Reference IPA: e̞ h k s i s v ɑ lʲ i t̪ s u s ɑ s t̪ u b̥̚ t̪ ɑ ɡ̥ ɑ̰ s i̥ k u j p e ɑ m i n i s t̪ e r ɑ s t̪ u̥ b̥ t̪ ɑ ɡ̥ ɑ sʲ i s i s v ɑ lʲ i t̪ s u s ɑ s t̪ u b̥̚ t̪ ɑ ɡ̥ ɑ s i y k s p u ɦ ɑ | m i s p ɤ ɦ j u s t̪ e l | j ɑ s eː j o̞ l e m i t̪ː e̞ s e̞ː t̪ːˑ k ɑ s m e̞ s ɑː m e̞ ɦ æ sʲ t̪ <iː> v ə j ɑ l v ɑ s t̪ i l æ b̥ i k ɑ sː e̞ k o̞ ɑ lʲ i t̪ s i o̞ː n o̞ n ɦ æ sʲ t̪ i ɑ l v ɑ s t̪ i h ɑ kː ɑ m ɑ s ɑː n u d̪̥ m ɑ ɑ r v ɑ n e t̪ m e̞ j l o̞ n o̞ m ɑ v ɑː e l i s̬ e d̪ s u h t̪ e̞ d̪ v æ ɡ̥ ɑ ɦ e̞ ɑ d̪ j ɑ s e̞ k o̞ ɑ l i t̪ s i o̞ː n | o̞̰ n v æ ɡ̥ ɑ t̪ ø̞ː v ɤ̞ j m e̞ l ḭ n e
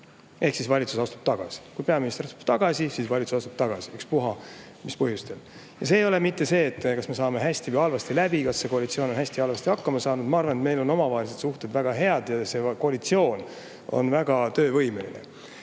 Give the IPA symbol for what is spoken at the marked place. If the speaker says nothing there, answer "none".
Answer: i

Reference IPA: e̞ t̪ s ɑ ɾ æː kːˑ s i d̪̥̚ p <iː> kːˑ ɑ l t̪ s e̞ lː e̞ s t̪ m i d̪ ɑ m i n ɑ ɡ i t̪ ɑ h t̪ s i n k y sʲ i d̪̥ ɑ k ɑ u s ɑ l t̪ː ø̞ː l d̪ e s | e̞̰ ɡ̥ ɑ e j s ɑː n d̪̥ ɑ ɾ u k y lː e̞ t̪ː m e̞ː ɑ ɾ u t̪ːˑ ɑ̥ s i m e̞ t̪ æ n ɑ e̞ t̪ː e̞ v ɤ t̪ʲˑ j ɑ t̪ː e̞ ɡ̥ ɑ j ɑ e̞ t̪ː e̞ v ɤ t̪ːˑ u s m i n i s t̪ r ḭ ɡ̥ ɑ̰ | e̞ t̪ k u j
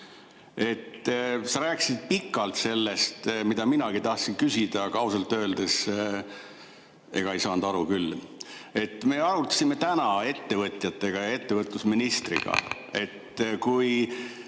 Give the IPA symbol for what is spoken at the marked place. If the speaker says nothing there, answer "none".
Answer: i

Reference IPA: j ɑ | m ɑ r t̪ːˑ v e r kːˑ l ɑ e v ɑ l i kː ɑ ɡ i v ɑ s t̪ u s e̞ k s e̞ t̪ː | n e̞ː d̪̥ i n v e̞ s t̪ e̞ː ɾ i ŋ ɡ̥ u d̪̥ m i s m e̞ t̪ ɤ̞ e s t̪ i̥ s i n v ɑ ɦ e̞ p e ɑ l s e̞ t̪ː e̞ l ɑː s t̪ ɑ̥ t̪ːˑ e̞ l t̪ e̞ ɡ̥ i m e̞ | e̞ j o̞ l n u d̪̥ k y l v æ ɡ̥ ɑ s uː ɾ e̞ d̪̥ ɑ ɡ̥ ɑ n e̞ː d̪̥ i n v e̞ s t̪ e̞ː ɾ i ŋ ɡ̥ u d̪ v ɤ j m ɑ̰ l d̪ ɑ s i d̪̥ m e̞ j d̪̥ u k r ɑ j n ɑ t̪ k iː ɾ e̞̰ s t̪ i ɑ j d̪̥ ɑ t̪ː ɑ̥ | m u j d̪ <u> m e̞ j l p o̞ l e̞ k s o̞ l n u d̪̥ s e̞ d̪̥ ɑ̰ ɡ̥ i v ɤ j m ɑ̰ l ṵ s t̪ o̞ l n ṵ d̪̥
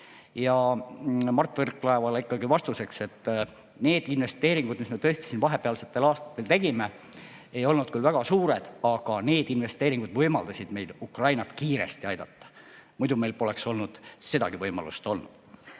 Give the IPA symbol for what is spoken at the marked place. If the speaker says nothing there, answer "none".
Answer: u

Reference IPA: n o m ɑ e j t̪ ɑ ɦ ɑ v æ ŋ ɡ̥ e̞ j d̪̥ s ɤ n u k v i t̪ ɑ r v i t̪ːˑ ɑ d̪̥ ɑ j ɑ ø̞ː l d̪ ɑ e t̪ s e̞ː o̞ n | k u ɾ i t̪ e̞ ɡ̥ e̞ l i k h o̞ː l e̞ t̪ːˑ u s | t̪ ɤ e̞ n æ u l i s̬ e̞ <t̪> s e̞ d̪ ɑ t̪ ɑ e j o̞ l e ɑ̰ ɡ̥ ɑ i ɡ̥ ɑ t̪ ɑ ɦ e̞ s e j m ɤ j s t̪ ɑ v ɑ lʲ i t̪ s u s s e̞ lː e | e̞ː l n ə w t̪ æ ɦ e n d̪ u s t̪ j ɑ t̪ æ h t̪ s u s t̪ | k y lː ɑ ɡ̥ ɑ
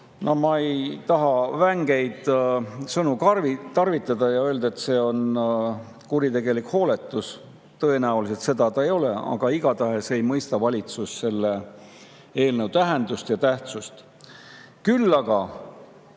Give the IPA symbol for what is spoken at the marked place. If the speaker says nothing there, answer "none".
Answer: t̪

